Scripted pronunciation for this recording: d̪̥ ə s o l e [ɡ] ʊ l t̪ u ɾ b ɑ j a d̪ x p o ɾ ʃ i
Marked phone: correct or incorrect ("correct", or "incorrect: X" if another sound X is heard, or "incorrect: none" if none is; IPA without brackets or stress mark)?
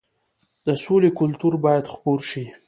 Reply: incorrect: k